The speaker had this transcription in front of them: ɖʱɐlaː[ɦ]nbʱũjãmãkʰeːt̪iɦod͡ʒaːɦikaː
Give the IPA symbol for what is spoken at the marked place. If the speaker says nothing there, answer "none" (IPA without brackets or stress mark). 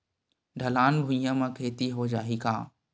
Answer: none